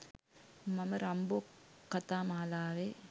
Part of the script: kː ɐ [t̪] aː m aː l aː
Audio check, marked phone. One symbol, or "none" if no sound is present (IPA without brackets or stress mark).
t̪